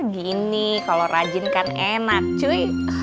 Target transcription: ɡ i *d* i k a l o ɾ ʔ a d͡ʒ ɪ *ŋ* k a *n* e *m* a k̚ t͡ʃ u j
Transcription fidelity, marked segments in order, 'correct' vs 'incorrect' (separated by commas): incorrect, incorrect, correct, incorrect